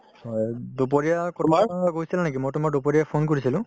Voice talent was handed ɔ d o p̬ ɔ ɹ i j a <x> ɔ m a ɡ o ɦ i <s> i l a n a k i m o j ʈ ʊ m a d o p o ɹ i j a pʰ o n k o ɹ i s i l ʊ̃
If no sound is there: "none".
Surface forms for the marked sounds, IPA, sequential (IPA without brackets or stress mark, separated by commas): k, s